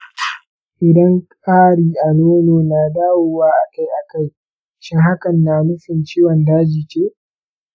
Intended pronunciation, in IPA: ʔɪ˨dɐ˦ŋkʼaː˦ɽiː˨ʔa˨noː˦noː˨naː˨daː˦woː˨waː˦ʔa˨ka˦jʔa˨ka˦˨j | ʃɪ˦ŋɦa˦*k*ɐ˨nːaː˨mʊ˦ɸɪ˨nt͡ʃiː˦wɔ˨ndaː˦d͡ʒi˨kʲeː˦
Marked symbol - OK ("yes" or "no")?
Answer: yes